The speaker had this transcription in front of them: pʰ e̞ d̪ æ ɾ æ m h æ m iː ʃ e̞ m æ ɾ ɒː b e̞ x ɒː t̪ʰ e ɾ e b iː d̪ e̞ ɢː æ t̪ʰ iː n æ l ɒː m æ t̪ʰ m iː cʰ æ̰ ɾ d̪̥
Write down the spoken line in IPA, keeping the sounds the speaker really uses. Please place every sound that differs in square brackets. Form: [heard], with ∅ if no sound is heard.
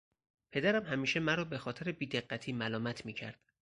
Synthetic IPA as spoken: pʰ e̞ d̪ æ ɾ æ m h æ m iː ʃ e̞ m æ ɾ ɒː b e̞ x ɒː t̪ʰ e ɾ e b iː d̪ e̞ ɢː æ t̪ʰ iː [m] æ l ɒː m æ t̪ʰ m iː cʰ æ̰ ɾ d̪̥